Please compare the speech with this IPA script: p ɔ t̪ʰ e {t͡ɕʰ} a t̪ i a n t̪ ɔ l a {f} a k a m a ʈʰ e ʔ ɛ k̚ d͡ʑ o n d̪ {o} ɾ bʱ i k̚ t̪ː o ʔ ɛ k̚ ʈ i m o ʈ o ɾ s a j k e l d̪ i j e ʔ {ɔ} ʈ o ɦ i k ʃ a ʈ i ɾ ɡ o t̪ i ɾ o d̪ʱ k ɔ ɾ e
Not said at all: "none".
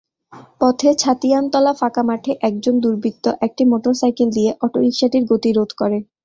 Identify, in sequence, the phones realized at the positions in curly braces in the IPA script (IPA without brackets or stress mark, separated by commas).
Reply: t͡ɕʰ, f, u, ɔ